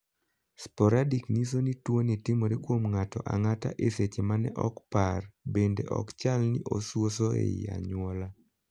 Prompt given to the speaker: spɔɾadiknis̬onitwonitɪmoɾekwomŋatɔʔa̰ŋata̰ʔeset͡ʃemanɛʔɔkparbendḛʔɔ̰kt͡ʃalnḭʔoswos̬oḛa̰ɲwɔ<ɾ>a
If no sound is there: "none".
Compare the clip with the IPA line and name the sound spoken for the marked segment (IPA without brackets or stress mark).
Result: l